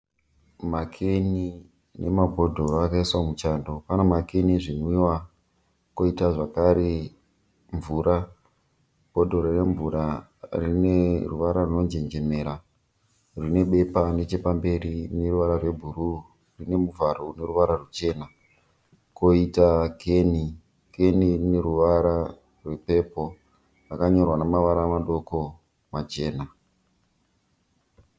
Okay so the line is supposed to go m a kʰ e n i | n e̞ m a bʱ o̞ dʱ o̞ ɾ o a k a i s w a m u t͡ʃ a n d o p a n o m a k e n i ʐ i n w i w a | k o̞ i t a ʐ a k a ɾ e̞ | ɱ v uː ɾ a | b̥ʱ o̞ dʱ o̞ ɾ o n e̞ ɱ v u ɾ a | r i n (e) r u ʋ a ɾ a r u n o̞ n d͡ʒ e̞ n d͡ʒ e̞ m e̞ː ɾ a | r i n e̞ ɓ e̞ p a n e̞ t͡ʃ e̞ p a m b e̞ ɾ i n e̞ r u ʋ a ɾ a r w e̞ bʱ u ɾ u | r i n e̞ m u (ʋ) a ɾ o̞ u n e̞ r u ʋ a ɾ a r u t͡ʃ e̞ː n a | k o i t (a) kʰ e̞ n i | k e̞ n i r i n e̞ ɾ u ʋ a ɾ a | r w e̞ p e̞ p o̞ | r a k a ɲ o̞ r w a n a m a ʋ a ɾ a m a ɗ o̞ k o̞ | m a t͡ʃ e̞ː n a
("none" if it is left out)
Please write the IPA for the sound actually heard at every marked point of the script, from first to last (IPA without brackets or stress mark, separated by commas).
e, v, a